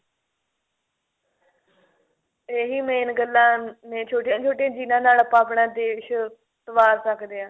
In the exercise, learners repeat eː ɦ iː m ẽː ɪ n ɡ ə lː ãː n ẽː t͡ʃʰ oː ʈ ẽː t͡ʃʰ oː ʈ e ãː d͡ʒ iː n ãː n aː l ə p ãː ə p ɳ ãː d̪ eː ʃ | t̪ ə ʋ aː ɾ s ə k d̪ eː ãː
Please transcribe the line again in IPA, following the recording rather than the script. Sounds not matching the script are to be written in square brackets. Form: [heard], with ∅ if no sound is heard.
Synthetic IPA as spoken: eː ɦ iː m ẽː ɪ n ɡ ə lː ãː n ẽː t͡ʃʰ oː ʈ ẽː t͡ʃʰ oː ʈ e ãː d͡ʒ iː n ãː n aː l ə p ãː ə p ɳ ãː d̪ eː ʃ | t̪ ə ʋ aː ɾ s ə k d̪ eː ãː